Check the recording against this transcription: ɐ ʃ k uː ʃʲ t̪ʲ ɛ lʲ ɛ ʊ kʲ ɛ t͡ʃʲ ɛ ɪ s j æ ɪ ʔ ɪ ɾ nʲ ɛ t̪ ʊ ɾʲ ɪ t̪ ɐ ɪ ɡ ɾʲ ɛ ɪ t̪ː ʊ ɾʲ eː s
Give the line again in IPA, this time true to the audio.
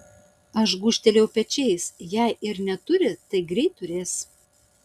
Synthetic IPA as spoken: ɐ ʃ ɡ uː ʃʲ t̪ʲ ɛ lʲ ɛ ʊ pʲ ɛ t͡ʃʲ ɛ ɪ s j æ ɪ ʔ ɪ ɾ nʲ ɛ t̪ ʊ ɾʲ ɪ t̪ ɐ ɪ ɡ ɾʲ ɛ ɪ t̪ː ʊ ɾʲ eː s